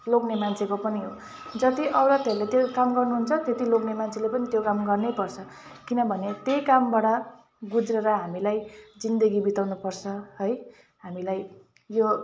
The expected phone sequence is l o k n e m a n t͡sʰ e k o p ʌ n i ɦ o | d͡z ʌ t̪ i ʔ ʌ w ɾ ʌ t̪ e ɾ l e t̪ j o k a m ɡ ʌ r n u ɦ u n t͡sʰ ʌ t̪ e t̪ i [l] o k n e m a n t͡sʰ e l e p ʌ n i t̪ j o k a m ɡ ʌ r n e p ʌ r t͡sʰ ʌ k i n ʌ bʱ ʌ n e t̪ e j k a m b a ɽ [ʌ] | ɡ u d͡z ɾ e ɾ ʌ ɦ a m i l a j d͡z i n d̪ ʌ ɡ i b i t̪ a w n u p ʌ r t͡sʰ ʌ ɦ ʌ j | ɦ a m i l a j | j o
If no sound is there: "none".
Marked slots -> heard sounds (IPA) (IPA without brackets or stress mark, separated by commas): l, ʌ